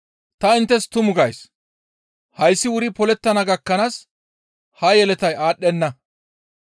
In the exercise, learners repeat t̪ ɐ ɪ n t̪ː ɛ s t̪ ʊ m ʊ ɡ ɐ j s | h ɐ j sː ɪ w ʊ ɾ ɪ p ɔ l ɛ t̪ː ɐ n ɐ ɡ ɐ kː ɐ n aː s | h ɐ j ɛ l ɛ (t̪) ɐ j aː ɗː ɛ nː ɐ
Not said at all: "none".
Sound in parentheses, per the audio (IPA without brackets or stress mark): t̪